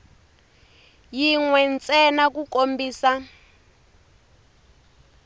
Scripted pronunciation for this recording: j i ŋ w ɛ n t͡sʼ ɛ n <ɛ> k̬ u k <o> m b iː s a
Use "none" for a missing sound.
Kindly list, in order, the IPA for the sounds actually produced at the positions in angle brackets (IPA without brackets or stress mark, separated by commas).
a, o